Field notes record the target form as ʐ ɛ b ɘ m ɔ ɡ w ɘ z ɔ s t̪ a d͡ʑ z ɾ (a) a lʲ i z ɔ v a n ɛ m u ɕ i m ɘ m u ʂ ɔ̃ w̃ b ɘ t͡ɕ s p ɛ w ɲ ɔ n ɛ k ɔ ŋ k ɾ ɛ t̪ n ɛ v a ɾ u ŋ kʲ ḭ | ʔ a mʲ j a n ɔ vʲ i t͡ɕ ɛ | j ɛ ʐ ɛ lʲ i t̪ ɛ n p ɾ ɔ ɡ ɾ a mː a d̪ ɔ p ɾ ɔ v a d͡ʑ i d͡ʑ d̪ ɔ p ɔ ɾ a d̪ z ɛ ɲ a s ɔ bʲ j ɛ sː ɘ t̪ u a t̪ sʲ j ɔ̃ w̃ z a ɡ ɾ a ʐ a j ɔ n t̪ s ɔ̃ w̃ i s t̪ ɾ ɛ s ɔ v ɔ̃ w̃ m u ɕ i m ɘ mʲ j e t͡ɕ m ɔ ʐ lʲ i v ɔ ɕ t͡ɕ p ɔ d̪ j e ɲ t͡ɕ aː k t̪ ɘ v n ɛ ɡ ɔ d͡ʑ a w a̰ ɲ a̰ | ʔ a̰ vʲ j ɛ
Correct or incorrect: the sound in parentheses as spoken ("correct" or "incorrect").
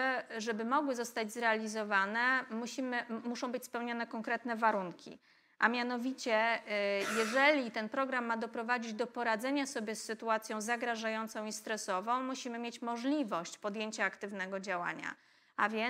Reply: incorrect